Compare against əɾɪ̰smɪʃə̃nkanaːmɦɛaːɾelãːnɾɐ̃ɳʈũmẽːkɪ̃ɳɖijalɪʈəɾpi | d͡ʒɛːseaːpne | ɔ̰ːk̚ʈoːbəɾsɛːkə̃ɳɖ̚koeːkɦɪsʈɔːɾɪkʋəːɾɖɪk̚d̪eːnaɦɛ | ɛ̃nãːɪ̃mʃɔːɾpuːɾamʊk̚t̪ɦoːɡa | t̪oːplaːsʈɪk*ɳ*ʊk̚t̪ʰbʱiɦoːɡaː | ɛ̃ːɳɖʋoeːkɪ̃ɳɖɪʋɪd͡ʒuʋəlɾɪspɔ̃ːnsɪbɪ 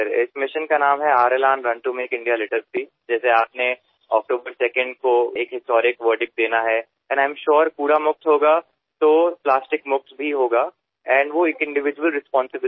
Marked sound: incorrect: m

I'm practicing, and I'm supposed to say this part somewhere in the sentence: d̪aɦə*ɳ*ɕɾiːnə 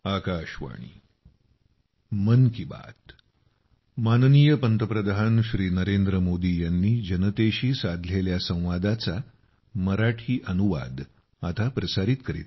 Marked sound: incorrect: n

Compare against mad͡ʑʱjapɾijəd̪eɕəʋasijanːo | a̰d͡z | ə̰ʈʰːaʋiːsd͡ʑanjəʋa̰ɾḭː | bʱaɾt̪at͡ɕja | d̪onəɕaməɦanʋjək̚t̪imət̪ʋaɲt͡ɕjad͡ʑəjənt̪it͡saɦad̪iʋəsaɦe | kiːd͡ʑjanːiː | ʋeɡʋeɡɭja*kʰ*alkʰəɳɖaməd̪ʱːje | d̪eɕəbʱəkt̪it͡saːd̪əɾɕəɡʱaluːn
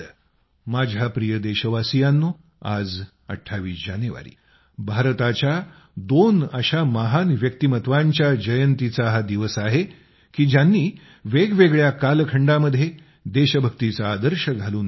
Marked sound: incorrect: k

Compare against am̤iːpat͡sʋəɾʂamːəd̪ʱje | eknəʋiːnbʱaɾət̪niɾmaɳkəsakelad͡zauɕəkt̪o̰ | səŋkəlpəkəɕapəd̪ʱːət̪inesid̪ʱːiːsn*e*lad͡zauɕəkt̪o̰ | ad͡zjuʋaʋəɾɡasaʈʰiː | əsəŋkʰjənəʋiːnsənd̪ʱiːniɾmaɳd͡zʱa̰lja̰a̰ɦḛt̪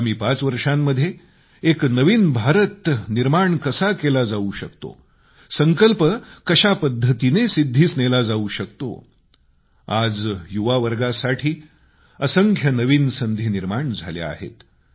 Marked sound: correct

